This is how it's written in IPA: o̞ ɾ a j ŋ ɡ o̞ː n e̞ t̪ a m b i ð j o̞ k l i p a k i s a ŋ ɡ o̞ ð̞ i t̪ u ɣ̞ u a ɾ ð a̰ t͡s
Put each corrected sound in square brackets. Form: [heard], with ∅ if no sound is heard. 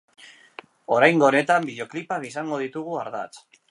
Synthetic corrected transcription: o̞ ɾ a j ŋ ɡ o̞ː n e̞ t̪ a m b i ð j o̞ k l i p a k i s a ŋ ɡ o̞ ð̞ i t̪ u ɣ̞ u a ɾ ð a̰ t͡s